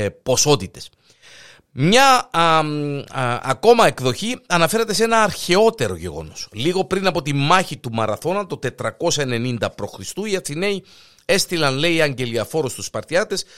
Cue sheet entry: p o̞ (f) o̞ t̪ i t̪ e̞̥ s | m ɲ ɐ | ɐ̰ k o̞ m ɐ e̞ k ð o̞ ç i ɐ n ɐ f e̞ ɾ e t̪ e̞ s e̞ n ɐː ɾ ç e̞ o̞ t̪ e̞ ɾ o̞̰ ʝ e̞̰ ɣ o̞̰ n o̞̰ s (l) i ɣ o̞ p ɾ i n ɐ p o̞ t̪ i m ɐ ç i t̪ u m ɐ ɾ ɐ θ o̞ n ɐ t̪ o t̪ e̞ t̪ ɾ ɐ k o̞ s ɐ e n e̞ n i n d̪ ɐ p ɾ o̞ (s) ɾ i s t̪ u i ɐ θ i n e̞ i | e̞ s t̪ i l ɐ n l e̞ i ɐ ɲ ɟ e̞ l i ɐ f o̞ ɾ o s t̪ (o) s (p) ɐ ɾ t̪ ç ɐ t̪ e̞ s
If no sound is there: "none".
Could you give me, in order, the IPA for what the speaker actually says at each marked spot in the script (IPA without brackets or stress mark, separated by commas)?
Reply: s, l, x, u, p